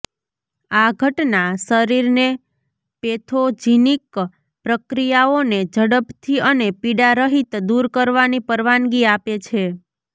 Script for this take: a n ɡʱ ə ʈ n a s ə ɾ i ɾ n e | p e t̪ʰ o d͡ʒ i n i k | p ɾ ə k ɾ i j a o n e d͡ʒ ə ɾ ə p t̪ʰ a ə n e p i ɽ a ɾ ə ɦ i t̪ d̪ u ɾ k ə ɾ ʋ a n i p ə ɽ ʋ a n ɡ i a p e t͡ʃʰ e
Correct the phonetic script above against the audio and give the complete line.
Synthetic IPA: a ɡʱ ə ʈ n a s ə ɾ i ɾ n e | p e t̪ʰ o d͡ʒ i n i k | p ɾ ə k ɾ i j a o n e d͡ʒ ə ɽ ə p t̪ʰ i ə n e p i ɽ a ɾ ə ɦ i t̪ d̪ u ɾ k ə ɾ ʋ a n i p ə ɾ ʋ a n ɡ i a p e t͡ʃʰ e